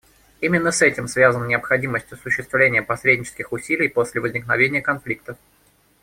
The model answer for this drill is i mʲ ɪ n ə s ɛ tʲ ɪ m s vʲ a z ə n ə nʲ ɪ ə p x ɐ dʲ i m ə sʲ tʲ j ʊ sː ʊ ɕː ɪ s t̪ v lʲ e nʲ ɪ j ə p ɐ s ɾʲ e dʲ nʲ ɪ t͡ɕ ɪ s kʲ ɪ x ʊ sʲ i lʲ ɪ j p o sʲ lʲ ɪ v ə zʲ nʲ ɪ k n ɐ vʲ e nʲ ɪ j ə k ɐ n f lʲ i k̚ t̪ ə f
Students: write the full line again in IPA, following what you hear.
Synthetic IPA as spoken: i mʲ ɪ nː ə s ɛ tʲ ɪ m s vʲ a z ə n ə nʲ ɪ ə p x ɐ dʲ i m ə sʲ tʲ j ʊ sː ʊ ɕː ɪ s t̪ v lʲ e nʲ ɪ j ə p ɐ s ɾʲ e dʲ nʲ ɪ t͡ɕ ɪ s kʲ ɪ x ʊ sʲ i lʲ ɪ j p o sʲ lʲ ɪ v ə zʲ nʲ ɪ k n ɐ vʲ e nʲ ɪ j ə k ɐ n f lʲ i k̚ t̪ ə f